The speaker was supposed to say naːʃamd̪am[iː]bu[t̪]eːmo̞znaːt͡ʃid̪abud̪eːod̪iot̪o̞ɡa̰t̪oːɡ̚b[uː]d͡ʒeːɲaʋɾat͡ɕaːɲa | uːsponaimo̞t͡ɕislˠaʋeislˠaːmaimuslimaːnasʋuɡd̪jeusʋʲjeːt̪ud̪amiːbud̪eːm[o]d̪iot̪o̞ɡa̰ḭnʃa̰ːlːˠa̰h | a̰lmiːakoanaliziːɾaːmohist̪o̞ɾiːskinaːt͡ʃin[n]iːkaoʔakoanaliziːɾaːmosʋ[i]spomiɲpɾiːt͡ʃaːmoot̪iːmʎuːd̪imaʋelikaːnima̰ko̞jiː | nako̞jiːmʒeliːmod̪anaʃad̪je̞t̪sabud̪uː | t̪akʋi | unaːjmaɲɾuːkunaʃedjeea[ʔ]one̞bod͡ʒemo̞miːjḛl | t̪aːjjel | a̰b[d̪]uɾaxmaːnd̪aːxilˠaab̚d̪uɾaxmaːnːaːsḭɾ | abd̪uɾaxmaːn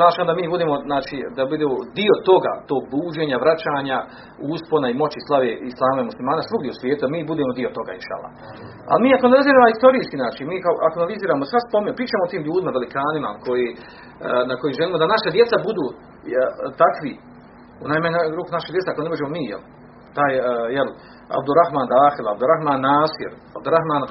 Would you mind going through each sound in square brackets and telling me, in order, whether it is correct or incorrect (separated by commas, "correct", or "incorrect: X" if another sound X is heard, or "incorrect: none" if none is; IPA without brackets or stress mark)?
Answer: correct, incorrect: d̪, correct, correct, incorrect: m, incorrect: a, incorrect: k, correct